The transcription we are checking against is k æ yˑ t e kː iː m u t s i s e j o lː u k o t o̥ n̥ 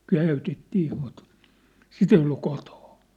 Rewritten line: k æ yˑ t e tː iː m u t s i t e i o lː u k o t o̥ n̥